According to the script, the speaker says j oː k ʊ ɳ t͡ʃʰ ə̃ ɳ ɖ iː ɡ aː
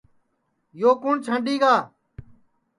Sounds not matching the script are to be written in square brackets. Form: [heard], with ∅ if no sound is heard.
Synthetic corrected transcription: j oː k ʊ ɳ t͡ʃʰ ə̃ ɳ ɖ iː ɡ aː